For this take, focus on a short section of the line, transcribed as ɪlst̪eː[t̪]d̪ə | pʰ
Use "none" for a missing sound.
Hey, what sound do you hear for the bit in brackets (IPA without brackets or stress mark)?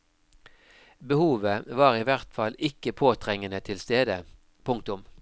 none